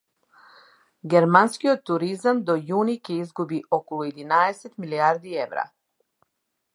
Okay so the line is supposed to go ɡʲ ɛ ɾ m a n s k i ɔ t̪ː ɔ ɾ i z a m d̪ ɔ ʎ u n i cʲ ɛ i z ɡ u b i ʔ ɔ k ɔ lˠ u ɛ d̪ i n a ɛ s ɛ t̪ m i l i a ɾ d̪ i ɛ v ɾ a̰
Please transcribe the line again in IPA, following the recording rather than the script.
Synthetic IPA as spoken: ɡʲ ɛ ɾ m a n s k i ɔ t̪ː u ɾ i z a m d̪ ɔ j u n i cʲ ɛ i z ɡ u b i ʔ ɔ k ɔ lˠ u ɛ d̪ i n a ɛ s ɛ t̪ m i l i a ɾ d̪ i ɛ v ɾ a̰